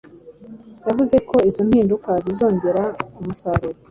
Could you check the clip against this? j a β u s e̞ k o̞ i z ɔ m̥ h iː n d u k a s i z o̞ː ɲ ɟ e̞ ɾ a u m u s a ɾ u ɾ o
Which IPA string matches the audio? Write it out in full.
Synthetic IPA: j a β u z e̞ k o̞ i z o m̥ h iː n d u k a z i z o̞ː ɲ ɟ e̞ ɾ a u m u s a ɾ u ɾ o

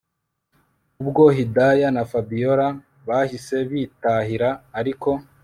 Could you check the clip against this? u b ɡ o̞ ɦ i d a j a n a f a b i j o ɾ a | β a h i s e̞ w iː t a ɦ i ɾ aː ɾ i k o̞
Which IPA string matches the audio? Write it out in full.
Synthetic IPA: u b ɡ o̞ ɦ i d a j a n a f a b i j o ɾ a | β a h i s e̞ β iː t a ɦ i ɾ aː ɾ i k o̞

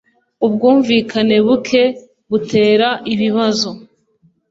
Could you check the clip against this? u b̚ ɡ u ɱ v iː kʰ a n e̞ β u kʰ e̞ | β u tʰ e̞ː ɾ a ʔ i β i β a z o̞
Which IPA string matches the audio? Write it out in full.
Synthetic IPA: u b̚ ɡ uː ɱ v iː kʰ a n e̞ β u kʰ e̞ | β u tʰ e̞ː ɾ a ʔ i β i β a z o̞

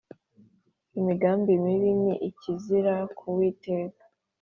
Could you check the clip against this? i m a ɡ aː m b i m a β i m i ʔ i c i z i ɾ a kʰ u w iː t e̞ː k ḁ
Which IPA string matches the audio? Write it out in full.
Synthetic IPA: i m i ɡ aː m b i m i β i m i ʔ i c i z i ɾ a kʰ u w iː t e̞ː k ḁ

